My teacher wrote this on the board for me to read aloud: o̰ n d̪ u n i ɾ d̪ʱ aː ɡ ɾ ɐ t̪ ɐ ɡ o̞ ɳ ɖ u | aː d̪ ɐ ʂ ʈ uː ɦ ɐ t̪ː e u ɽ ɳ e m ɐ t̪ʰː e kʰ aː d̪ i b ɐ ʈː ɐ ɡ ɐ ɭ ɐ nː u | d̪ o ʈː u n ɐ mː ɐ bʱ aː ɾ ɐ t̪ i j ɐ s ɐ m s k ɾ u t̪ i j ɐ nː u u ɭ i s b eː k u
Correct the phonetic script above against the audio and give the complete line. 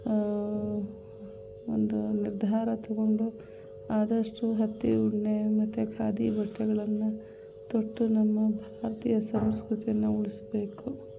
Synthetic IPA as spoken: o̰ n d̪ u n i ɾ d̪ʱ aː ɾ ɐ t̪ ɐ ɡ o̞ ɳ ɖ u | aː d̪ ɐ ʂ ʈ u ɦ ɐ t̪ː i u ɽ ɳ e m ɐ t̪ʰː e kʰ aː d̪ i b ɐ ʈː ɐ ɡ ɐ ɭ ɐ nː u | t̪ o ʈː u n ɐ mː ɐ bʱ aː ɾ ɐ t̪ i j ɐ s ɐ m s k ɾ u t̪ i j ɐ nː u u ɭ i s b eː k u